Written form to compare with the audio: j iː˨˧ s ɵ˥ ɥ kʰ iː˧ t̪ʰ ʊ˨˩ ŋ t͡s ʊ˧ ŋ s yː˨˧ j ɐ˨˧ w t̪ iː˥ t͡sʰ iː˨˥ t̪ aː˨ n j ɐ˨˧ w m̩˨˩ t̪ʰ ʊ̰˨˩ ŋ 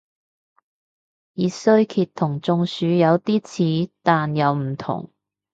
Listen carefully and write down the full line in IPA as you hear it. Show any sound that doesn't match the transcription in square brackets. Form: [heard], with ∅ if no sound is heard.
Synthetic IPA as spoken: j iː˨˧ s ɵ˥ ɥ kʰ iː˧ t̪ʰ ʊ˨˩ ŋ t͡s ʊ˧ ŋ s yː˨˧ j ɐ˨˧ w t̪ iː˥ t͡sʰ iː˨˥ t̪ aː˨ n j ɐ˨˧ w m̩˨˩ t̪ʰ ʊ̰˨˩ ŋ